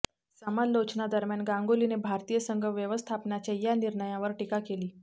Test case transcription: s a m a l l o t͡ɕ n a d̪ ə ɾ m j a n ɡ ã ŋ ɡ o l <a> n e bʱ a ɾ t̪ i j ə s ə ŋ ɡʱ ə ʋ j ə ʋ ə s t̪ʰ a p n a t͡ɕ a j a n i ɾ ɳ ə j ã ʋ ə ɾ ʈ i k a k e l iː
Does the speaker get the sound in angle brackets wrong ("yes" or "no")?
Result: yes